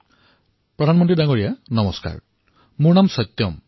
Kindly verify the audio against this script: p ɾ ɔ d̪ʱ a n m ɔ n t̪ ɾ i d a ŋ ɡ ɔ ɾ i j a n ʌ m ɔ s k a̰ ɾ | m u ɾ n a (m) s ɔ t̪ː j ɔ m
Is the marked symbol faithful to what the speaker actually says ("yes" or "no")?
yes